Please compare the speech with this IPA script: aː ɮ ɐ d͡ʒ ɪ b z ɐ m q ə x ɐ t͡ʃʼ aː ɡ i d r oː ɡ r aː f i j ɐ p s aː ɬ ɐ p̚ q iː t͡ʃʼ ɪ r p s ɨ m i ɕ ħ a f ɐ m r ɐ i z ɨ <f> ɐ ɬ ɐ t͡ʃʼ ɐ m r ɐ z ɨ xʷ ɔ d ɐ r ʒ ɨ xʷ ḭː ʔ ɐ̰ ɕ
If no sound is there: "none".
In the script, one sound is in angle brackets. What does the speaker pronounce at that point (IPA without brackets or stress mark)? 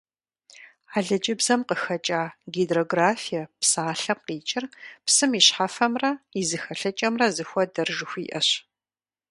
x